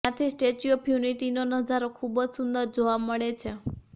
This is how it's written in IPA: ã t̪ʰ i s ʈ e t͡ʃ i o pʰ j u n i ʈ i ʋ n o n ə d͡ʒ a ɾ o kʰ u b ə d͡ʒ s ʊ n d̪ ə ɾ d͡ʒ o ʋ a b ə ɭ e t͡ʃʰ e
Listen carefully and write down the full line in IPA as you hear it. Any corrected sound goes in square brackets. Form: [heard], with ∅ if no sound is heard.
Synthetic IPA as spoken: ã t̪ʰ i s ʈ e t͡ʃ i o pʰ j u n i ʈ i [∅] n o n ə d͡ʒ a ɾ o kʰ u b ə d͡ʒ s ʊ n d̪ ə ɾ d͡ʒ o ʋ a [m] ə ɭ e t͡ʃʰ e